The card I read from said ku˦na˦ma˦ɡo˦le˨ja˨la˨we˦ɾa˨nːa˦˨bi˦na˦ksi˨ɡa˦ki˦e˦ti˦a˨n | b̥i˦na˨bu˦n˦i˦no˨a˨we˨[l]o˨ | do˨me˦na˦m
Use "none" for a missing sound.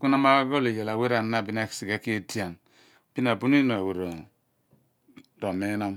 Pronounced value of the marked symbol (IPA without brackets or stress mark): ɾ